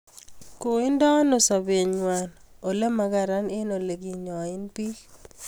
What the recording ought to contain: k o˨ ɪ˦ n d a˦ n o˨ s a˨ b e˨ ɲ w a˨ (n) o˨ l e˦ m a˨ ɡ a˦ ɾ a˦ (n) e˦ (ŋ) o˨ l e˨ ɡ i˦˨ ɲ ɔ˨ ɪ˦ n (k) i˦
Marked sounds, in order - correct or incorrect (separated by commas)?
correct, correct, incorrect, incorrect